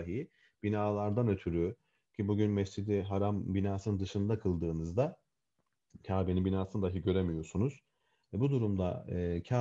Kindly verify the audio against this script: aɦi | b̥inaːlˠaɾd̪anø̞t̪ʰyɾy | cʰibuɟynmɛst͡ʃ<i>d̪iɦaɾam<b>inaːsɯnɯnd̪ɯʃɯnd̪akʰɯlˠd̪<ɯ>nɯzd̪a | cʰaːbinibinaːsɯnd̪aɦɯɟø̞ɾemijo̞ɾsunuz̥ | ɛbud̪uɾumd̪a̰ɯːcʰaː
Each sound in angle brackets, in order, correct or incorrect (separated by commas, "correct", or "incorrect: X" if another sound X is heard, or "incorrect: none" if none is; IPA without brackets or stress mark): correct, correct, incorrect: ɯː